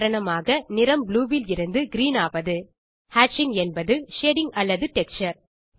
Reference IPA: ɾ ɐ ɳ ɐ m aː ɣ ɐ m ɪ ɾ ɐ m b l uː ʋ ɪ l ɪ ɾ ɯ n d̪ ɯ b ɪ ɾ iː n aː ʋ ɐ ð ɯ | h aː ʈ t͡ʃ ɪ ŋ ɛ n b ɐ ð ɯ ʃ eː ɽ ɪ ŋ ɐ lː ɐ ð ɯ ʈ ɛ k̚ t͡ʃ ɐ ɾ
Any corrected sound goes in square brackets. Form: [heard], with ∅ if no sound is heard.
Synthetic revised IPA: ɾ ɐ ɳ ɐ m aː ɣ ɐ [n] ɪ ɾ ɐ m b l uː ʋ ɪ l ɪ ɾ ɯ n d̪ ɯ [ɡ] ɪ ɾ iː n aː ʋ ɐ ð ɯ | h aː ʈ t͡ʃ ɪ ŋ ɛ n b ɐ ð ɯ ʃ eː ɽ ɪ ŋ ɐ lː ɐ ð ɯ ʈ ɛ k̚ t͡ʃ ɐ ɾ